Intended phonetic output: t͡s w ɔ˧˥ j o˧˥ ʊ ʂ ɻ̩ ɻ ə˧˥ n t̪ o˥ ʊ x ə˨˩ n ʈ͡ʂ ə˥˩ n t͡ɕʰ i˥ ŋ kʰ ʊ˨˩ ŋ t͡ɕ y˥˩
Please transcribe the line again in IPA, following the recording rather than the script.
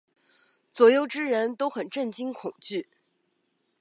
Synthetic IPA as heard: t͡s w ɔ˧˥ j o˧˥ ʊ ʈ͡ʂ ɻ̩ ɻ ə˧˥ n t̪ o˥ ʊ x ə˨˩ n ʈ͡ʂ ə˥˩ n t͡ɕ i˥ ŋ kʰ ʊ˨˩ ŋ t͡ɕ y˥˩

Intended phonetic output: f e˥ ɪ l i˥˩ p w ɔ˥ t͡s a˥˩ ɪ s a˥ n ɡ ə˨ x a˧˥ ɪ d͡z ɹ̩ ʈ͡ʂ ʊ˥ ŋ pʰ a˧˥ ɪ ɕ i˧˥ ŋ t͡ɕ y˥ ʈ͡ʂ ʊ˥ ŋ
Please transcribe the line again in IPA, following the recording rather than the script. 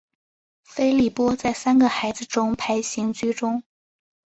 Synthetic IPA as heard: f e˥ ɪ l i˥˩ p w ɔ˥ t͡s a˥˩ ɪ s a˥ n ɡ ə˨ x a˧˥ ɪ d͡z ɹ̩ ʈ͡ʂ ʊ˥ ŋ pʰ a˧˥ ɪ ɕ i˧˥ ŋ t͡ɕ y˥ ʈ͡ʂ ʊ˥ ŋ

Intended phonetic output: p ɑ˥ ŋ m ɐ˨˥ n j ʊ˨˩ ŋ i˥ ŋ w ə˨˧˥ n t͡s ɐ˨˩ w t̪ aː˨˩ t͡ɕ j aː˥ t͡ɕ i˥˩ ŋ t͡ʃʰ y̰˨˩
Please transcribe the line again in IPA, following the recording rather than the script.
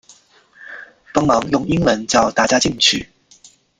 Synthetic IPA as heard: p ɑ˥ ŋ m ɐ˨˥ ŋ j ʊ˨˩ ŋ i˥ ŋ w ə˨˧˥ n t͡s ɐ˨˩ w t̪ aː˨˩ t͡ɕ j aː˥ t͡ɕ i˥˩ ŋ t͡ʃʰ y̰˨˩

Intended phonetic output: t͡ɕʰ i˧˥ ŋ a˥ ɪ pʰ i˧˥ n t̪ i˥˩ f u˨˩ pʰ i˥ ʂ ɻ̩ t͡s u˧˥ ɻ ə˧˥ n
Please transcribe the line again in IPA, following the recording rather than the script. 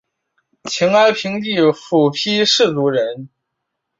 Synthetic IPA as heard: t͡ɕʰ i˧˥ ŋ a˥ ɪ pʰ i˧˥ ŋ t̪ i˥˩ f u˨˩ pʰ i˥ ʂ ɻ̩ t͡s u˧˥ ɻ ə˧˥ n

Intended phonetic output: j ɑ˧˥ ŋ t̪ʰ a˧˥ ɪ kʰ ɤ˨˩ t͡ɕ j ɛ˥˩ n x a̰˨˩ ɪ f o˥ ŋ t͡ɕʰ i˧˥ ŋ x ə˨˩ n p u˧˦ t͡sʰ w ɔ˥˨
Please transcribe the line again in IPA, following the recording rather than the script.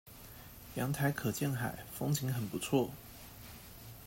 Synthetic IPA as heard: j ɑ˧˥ ŋ t̪ʰ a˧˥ ɪ kʰ ɤ˨˩ t͡ɕ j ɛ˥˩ n x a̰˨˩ ɪ f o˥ ŋ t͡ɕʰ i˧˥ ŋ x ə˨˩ n p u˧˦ t͡sʰ w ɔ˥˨

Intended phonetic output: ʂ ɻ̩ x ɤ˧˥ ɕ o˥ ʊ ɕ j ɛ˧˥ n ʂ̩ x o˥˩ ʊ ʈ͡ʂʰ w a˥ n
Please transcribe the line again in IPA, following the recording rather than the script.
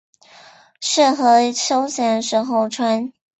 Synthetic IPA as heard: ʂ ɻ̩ x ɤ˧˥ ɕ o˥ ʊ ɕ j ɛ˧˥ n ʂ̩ x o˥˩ ʊ ʈ͡ʂʰ w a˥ n

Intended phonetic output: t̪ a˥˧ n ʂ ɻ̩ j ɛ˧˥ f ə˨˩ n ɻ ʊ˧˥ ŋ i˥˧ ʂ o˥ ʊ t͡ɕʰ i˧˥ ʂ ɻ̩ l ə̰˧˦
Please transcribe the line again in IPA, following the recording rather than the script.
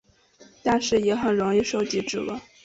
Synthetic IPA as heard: t̪ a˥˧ n ʂ ɻ̩ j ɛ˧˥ x ə˨˩ n ɻ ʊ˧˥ ŋ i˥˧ ʂ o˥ ʊ t͡ɕ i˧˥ ʈ͡ʂ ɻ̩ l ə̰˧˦

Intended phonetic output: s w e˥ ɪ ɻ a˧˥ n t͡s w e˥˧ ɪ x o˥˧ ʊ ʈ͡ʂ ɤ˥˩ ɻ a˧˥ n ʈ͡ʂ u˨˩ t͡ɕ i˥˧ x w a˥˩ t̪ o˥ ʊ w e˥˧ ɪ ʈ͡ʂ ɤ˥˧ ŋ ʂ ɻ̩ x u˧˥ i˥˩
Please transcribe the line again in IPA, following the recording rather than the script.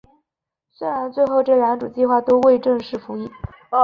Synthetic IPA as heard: s w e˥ ɪ ɻ a˧˥ n t͡s w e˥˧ ɪ x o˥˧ ʊ ʈ͡ʂ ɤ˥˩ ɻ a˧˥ n ʈ͡ʂ u˨˩ t͡ɕ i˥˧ x w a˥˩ t̪ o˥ ʊ w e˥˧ ɪ ʈ͡ʂ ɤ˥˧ ŋ ʂ ɻ̩ f u˧˥ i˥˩

